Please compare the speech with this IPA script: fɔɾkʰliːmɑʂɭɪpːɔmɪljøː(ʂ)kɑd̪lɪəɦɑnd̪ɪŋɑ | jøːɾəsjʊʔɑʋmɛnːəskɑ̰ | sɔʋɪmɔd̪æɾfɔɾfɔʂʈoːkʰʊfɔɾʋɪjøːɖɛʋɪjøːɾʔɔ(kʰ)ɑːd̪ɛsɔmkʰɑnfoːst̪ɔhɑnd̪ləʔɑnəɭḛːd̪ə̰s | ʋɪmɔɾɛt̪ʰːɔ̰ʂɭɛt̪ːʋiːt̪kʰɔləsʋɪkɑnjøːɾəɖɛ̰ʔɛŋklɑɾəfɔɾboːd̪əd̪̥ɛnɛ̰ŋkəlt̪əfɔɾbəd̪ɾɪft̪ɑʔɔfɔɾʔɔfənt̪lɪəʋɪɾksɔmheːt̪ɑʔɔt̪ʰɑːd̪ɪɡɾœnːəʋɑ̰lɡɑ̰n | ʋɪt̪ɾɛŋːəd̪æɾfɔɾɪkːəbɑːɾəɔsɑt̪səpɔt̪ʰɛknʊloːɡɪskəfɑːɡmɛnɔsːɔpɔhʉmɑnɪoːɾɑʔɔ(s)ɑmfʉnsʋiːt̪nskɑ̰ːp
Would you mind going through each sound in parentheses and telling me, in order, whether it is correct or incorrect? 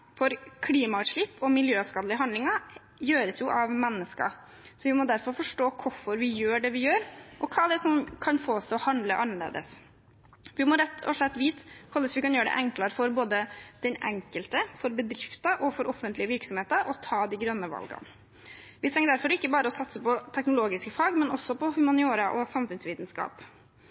incorrect, correct, correct

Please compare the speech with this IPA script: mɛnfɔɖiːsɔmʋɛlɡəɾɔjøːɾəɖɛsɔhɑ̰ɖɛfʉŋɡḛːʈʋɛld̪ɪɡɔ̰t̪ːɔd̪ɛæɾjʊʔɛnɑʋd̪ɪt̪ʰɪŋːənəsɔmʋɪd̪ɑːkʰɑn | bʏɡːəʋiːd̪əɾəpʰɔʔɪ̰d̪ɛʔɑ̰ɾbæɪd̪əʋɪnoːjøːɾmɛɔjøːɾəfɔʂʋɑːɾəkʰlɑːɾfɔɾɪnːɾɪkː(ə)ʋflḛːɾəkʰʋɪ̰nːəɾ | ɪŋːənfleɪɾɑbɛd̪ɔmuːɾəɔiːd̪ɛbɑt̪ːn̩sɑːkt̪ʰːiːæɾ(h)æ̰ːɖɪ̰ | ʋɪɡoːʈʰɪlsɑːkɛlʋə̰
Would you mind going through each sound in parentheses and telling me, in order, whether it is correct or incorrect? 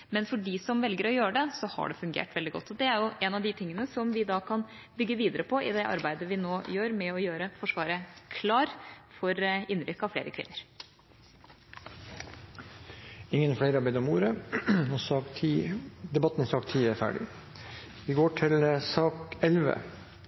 incorrect, incorrect

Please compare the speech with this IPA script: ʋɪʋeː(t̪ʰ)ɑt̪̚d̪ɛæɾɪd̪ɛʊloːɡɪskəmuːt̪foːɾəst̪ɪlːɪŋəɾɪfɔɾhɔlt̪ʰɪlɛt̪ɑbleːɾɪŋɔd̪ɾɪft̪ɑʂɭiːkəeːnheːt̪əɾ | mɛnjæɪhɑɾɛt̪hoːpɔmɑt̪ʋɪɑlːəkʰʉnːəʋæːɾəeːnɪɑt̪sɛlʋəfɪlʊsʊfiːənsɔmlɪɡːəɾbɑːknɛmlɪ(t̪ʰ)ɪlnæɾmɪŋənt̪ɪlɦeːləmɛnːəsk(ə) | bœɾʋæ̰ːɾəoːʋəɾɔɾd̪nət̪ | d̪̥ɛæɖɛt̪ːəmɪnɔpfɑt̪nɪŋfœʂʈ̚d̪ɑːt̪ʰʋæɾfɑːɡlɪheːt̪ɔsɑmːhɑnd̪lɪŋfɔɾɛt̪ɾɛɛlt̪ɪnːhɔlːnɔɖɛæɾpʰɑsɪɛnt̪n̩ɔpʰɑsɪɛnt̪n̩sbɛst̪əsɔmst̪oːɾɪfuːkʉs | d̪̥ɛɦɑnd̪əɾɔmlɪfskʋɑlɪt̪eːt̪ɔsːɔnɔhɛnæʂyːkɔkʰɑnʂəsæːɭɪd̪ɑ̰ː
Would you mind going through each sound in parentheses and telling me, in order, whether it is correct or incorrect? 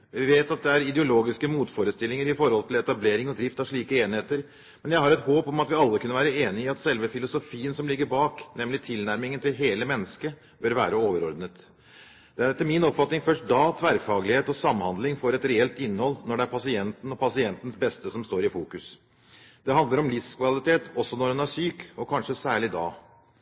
incorrect, correct, correct

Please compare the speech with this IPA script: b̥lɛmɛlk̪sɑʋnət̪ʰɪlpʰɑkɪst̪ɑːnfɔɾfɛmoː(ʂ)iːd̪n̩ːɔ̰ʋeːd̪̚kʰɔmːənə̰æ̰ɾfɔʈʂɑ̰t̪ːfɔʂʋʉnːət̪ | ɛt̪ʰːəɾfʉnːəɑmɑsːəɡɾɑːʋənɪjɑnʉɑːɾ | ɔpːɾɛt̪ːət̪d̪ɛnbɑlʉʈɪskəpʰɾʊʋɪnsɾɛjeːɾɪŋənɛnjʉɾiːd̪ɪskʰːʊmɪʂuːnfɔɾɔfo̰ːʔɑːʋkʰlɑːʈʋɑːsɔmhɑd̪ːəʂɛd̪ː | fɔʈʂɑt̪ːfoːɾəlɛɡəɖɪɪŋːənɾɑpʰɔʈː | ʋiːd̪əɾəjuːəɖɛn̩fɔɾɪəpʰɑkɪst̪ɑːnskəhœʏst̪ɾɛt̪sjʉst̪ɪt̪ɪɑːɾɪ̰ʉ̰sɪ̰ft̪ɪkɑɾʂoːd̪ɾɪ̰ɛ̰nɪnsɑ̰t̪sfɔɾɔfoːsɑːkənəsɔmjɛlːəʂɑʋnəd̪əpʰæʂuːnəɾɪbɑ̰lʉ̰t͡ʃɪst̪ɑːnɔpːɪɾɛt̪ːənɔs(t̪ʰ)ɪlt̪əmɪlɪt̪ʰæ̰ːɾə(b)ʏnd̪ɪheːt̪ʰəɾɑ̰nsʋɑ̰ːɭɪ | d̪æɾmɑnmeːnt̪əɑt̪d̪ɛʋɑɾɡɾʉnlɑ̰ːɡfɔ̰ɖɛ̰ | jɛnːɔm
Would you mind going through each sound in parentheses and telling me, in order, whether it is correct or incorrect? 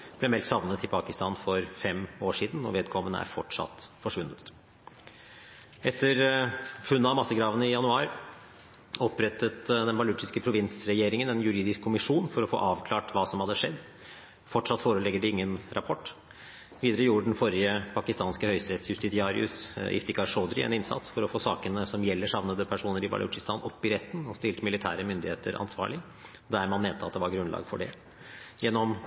correct, incorrect, incorrect

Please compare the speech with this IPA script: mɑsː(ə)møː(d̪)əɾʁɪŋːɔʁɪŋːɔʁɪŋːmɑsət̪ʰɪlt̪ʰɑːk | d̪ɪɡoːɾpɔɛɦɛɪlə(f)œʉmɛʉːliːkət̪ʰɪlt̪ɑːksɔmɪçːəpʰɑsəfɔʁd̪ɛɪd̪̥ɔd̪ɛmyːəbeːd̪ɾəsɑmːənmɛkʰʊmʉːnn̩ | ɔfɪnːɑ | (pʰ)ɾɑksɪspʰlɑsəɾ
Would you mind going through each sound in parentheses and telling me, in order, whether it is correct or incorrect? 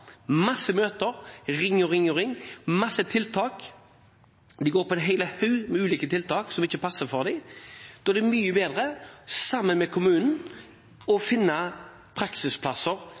correct, incorrect, incorrect, correct

